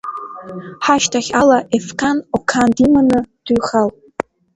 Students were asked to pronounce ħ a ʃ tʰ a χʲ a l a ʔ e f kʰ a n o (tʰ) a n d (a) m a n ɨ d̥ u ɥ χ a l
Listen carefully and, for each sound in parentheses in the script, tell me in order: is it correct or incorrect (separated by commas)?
incorrect, incorrect